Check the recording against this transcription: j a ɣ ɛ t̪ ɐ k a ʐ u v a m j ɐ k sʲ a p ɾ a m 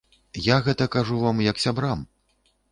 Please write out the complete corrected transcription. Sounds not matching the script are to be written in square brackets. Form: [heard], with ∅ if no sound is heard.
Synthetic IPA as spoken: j a ɣ ɛ t̪ ɐ k a ʐ u v a m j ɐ k sʲ a [b] ɾ a m